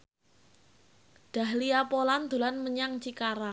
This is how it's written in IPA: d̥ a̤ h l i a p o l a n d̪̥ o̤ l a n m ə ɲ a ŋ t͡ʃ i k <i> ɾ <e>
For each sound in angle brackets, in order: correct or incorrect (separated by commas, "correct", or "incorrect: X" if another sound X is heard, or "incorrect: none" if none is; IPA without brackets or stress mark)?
incorrect: a, incorrect: a